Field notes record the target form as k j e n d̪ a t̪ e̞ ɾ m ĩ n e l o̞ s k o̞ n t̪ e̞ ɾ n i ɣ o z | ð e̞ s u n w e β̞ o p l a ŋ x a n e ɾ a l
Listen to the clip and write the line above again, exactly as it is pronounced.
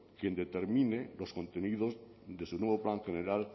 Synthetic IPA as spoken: k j e n d̪ e t̪ e̞ ɾ m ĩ n e l o̞ s k o̞ n t̪ e̞ n i ð o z | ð e̞ s u n w e β̞ o p l a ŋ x e n e ɾ a l